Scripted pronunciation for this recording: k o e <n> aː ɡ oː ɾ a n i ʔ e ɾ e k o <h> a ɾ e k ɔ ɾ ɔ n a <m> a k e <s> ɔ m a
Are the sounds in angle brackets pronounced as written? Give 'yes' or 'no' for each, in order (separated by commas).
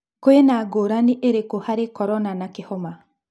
yes, yes, no, no